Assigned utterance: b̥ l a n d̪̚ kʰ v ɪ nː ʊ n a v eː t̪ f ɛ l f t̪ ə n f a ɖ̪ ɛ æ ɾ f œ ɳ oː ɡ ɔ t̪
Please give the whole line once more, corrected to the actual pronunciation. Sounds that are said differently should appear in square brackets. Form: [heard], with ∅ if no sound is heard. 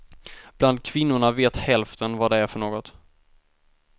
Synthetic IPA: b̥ l a n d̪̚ kʰ v ɪ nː ʊ [ɳ] a v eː t̪ [h] ɛ l f t̪ ə n [v] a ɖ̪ ɛ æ ɾ f œ ɳ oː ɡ ɔ t̪